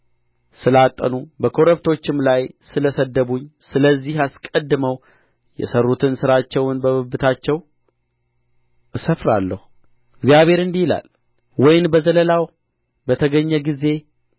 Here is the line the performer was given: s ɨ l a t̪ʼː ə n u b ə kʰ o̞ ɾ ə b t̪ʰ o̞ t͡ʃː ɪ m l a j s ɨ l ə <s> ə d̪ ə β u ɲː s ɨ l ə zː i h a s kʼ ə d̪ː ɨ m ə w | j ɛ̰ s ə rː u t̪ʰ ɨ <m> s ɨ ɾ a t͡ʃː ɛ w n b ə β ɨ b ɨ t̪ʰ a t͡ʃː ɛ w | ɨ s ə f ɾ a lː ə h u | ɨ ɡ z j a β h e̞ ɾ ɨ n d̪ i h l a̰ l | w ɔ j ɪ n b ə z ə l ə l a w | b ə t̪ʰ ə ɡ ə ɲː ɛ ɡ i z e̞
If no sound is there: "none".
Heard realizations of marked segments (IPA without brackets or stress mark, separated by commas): s, n